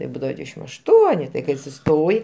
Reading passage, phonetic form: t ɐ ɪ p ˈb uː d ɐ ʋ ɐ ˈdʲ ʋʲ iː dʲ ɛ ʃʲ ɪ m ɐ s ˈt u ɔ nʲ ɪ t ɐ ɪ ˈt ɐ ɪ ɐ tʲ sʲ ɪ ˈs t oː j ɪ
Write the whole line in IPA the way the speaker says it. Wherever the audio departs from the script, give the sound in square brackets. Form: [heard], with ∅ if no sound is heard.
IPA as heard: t ɐ ɪ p ˈb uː d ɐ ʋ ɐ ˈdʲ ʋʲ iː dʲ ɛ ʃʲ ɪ m ɐ [ʃ] ˈt u ɔ nʲ ɪ t ɐ ɪ [ˈk] ɐ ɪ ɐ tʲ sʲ ɪ ˈs t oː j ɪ